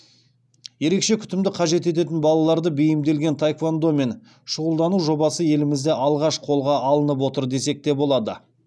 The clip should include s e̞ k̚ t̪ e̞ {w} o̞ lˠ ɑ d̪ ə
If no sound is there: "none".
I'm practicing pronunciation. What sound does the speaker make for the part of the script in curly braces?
b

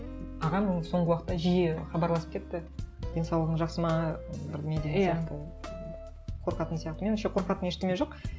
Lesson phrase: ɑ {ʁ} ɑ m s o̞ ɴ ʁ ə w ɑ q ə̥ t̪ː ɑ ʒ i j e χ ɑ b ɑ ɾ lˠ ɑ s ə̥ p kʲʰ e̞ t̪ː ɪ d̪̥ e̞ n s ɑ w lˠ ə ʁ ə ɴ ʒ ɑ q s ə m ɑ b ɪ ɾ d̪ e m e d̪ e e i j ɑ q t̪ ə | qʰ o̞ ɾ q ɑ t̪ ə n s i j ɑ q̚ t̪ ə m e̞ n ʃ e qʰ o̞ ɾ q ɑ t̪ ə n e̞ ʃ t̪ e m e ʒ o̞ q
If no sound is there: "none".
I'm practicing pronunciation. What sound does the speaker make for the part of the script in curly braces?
ʁ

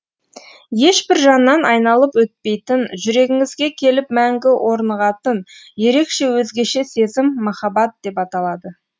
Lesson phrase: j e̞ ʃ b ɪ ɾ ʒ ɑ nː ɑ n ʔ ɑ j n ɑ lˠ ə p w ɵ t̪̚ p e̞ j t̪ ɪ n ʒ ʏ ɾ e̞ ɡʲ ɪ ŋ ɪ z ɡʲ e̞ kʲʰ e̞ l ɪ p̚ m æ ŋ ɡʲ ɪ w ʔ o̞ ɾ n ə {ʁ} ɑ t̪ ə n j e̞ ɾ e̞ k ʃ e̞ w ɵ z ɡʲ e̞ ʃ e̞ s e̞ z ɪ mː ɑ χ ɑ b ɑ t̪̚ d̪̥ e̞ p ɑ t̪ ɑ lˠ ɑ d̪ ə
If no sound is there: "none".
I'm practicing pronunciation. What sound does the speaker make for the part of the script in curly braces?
ʁ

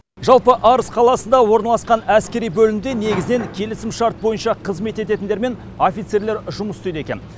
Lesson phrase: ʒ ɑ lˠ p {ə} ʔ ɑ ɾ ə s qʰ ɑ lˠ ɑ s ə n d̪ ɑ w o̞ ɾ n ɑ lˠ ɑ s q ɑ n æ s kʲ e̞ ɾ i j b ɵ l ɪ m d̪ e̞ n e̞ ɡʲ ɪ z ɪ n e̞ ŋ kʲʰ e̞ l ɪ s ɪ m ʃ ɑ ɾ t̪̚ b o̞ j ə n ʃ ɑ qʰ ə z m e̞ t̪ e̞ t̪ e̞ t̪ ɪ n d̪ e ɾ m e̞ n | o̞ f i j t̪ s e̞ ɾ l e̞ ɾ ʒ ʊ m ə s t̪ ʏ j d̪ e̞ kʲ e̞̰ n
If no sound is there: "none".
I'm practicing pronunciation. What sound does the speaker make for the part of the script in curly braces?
ə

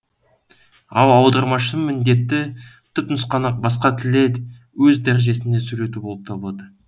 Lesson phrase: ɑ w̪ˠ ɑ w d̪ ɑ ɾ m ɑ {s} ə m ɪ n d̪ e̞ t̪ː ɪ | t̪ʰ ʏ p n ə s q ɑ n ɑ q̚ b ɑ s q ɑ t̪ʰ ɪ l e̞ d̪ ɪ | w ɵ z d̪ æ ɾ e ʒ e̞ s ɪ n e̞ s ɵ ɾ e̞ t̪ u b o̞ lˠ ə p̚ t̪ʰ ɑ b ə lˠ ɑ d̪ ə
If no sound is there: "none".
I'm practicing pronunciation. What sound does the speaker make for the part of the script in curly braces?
ʃ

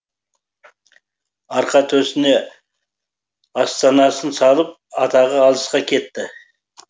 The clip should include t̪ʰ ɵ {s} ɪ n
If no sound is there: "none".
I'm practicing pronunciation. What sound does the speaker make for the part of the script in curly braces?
s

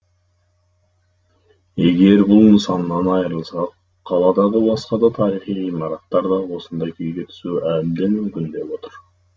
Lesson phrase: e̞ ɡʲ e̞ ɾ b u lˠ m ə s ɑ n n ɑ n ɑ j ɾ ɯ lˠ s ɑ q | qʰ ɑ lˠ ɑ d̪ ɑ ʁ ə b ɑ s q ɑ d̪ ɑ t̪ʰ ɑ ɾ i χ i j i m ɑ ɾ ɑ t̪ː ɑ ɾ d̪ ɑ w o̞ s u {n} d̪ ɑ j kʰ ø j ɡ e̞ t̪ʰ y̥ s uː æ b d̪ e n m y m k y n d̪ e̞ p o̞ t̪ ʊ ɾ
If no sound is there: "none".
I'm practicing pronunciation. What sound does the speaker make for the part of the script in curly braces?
n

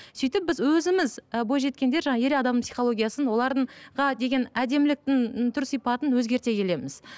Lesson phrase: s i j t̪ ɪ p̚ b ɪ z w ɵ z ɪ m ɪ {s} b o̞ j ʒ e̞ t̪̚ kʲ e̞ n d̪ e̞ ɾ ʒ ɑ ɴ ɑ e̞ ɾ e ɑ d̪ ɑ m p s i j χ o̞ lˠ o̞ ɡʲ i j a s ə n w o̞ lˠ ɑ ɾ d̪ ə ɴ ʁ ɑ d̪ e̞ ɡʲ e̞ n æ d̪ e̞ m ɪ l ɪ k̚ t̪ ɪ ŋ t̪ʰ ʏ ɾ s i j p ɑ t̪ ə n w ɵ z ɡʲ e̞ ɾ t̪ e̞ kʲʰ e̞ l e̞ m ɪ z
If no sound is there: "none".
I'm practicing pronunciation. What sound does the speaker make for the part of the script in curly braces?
z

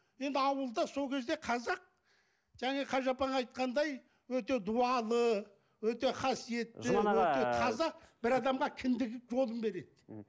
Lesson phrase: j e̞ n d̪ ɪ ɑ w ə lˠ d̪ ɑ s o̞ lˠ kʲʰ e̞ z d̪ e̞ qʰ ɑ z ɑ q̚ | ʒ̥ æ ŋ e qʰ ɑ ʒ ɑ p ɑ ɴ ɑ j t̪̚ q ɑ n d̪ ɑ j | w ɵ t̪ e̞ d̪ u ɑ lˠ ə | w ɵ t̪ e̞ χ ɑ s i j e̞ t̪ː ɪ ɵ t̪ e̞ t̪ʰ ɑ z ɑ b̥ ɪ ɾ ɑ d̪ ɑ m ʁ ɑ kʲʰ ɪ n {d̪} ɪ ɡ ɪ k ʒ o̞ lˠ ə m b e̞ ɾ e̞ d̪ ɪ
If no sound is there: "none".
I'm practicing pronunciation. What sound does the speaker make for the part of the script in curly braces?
d̪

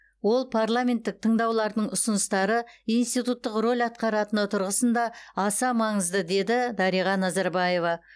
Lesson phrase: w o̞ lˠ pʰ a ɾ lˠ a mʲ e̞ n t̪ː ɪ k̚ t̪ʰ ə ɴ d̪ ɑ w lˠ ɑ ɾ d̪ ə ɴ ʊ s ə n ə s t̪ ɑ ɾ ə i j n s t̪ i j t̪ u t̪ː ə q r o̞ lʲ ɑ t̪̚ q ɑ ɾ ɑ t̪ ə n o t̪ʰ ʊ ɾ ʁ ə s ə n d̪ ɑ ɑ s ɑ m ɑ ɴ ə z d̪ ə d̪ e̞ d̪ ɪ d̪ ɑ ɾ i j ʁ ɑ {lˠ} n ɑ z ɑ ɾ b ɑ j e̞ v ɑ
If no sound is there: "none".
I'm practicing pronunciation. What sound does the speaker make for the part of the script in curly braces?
none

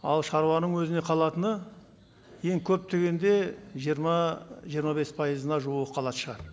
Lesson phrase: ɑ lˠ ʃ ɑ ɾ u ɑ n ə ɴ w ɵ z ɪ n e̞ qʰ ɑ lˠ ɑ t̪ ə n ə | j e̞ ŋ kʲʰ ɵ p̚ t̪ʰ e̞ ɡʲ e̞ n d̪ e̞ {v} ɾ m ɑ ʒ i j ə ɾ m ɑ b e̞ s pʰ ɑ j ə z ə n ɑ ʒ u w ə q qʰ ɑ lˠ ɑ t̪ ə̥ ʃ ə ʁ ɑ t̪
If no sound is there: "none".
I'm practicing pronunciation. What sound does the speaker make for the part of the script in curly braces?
ʒ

